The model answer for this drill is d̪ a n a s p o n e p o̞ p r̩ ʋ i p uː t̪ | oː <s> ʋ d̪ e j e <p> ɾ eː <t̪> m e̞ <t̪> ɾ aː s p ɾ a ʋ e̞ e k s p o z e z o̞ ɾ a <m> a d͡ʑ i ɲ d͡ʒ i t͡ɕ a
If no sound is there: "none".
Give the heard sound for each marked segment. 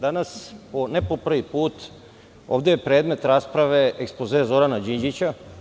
none, p, d̪, t̪, n

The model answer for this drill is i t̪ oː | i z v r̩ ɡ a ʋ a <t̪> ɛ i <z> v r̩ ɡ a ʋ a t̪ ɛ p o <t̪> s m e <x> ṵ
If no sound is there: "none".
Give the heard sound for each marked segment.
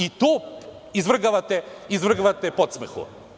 t̪, z, t̪, x

